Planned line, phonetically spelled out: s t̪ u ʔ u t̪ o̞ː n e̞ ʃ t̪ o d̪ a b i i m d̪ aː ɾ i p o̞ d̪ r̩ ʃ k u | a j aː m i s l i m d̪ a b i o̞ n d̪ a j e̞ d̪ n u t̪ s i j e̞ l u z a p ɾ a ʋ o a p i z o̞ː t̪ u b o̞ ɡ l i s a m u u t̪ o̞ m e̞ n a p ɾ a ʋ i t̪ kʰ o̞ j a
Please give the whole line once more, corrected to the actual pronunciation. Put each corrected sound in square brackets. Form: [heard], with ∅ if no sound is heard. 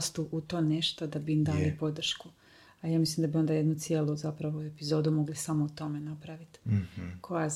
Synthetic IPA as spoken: s t̪ u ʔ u t̪ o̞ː n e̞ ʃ t̪ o d̪ a b i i m d̪ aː [l] i p o̞ d̪ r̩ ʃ k u | a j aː m i s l i m d̪ a b i o̞ n d̪ a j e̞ d̪ n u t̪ s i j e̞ l u z a p ɾ a ʋ o [e] p i z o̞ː [d̪] u [m] o̞ ɡ l i s a m [o] u t̪ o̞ m e̞ n a p ɾ a ʋ i t̪ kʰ o̞ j a